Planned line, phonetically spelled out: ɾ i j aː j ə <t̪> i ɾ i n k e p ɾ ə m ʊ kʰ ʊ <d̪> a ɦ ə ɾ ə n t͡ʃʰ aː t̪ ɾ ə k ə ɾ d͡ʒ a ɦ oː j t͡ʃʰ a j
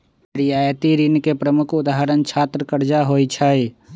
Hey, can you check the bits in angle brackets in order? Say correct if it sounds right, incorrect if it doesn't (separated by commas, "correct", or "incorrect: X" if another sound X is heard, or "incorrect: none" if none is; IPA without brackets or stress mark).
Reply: correct, correct